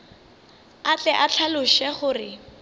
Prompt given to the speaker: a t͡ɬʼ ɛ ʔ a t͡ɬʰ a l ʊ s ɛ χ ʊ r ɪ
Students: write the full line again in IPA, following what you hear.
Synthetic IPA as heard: a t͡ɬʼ ɛ ʔ a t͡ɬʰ a l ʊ ʃ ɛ χ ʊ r ɪ

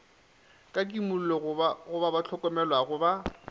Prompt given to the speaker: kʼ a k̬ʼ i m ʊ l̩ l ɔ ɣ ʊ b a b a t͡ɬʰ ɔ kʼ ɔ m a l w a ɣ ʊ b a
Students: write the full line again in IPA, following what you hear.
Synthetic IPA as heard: kʼ a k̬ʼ i m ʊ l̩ l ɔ ɣ ʊ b a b a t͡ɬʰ ɔ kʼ ɔ m ɛ l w a ɣ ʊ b a

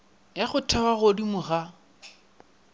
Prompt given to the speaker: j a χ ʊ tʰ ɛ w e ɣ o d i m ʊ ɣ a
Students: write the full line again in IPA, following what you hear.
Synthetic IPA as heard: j a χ ʊ tʰ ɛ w a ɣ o d i m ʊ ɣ a

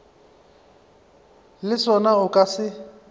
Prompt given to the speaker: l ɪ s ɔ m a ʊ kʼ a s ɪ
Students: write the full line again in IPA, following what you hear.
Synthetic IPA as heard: l ɪ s ɔ n a ʊ kʼ a s ɪ

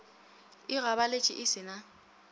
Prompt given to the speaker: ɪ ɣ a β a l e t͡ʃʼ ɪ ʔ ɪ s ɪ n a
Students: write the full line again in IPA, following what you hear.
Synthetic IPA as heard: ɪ ɣ a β a l e t͡ʃʼ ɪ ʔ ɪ s ɪ n a

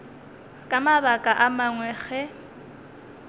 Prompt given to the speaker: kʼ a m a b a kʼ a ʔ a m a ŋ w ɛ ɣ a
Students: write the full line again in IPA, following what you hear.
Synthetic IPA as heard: kʼ a m a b a kʼ a ʔ a m a ŋ w ɛ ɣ ɛ

